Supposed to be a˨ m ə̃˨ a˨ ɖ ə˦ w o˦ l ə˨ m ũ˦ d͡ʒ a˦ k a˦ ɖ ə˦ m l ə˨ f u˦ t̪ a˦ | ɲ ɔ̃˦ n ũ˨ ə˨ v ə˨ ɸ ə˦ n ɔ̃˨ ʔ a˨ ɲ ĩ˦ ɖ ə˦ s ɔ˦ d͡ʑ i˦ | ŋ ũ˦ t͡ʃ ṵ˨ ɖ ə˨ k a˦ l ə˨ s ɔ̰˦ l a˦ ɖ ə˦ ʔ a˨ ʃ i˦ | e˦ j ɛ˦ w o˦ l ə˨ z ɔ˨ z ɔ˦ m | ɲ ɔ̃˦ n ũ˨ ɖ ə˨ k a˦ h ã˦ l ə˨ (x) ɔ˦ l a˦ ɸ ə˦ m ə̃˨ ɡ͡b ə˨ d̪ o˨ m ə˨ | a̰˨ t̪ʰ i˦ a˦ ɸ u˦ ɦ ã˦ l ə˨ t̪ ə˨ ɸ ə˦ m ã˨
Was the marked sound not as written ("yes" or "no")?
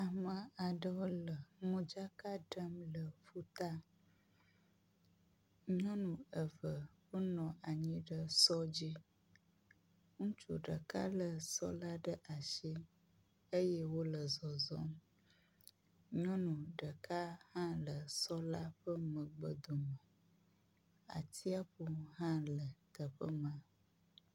yes